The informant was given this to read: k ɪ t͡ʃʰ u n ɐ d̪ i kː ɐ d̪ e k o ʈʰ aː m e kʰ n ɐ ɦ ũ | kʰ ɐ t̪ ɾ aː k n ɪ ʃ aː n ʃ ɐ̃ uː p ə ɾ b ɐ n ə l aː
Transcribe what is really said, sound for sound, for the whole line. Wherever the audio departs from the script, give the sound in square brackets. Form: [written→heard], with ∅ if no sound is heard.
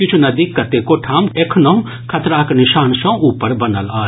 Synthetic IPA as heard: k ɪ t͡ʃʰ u n ɐ d̪ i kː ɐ [d̪→t̪] e k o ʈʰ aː m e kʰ n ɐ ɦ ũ | kʰ ɐ t̪ ɾ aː k n ɪ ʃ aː n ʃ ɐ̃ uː p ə ɾ b ɐ n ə l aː